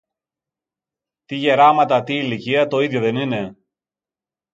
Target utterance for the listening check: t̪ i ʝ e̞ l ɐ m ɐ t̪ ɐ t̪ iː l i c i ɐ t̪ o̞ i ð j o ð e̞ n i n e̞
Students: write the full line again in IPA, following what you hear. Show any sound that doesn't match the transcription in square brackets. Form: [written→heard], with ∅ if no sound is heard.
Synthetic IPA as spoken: t̪ i ʝ e̞ [l→ɾ] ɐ m ɐ t̪ ɐ t̪ iː l i c i ɐ t̪ o̞ i ð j o ð e̞ n i n e̞